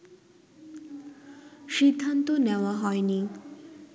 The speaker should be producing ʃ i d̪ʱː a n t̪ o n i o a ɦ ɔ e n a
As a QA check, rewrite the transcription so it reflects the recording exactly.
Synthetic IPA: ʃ i d̪ʱː a n t̪ o n e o a ɦ ɔ e n i